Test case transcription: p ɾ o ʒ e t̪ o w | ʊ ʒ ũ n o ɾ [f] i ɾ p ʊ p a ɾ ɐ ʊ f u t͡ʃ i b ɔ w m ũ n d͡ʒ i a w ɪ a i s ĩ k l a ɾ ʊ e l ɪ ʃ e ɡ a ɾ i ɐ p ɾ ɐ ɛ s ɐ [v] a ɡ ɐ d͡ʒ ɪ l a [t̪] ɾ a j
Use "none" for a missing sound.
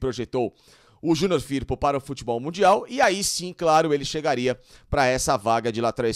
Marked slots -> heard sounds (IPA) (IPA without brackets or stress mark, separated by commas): f, v, t̪